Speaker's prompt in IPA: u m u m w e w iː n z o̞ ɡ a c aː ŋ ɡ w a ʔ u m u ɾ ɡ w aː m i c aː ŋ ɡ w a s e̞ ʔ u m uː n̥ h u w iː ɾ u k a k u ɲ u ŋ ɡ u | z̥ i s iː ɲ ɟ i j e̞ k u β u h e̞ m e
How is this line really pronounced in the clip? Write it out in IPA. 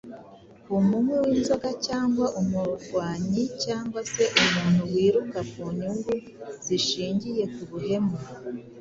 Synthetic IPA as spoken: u m u m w e w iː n z o̞ ɡ a c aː ŋ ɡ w a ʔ u m u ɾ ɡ w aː ɲ i c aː ŋ ɡ w a s e̞ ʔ u m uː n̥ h u w iː ɾ u k a k u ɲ u ŋ ɡ u | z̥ i ʃ iː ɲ ɟ i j e̞ k u β u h e̞ m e